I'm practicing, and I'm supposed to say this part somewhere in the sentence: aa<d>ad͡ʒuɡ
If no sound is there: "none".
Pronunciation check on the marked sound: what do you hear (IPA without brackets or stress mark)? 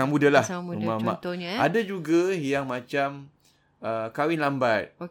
d